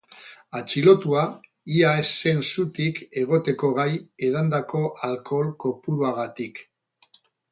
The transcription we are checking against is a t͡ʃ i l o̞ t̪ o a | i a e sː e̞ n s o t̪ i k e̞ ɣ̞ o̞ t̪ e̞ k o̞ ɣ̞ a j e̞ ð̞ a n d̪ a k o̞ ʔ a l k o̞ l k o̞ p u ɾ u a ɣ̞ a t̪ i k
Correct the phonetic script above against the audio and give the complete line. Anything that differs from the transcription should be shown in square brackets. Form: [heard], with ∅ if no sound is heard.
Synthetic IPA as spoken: a t͡ʃ i l o̞ t̪ [u] a | i a e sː e̞ n s [u] t̪ i k e̞ ɣ̞ o̞ t̪ e̞ k o̞ ɣ̞ a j e̞ ð̞ a n d̪ a k o̞ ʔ a l k o̞ l k o̞ p u ɾ u a ɣ̞ a t̪ i k